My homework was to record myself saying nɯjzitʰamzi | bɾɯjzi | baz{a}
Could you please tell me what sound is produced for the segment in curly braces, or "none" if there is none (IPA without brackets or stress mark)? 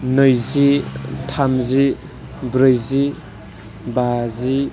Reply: i